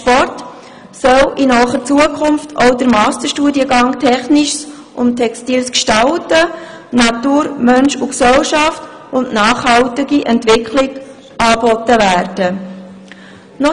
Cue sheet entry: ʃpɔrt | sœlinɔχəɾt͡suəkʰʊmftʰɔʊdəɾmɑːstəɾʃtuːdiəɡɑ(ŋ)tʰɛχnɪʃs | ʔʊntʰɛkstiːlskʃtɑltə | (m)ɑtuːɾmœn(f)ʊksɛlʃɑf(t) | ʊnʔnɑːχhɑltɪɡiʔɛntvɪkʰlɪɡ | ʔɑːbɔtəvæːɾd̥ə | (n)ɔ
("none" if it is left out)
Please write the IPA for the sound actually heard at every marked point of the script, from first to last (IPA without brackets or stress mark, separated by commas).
ŋ, n, ʃ, t, n